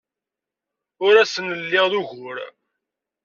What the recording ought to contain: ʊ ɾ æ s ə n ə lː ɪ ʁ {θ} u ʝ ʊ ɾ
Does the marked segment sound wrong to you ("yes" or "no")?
yes